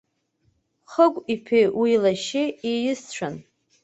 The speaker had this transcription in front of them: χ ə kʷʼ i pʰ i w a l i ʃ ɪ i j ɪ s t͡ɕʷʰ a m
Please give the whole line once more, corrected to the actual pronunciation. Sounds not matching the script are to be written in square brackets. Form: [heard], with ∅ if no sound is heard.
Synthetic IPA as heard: χ ə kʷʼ i pʰ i w [i] l [a] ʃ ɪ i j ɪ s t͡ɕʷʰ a [n]